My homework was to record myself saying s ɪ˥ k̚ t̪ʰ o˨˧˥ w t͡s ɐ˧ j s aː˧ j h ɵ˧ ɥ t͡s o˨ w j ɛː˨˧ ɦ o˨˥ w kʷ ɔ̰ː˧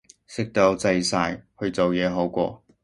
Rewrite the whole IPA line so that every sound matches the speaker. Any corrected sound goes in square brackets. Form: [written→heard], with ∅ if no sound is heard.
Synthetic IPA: s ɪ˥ k̚ [t̪ʰ→t̪] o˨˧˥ w t͡s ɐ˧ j s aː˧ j h ɵ˧ ɥ t͡s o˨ w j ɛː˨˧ ɦ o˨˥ w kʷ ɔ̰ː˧